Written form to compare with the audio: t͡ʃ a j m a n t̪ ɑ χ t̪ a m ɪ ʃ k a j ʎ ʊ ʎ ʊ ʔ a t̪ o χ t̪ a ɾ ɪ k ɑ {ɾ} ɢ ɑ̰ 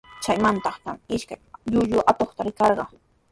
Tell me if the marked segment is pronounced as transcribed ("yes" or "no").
yes